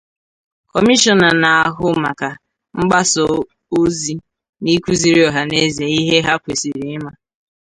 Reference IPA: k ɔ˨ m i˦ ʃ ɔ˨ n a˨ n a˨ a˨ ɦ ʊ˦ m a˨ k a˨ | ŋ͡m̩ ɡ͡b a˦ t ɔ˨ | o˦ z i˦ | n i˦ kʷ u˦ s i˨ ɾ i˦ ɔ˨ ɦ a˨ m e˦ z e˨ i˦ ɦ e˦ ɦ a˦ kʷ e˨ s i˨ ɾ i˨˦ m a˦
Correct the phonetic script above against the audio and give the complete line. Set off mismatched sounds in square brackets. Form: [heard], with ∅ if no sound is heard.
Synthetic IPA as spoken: k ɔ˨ m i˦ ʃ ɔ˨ n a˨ n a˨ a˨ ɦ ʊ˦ m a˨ k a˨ | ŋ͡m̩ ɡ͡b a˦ [s] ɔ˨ | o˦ z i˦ | n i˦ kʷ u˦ [z] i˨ ɾ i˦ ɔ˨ ɦ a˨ [n] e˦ z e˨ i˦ ɦ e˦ ɦ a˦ kʷ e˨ s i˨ ɾ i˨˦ m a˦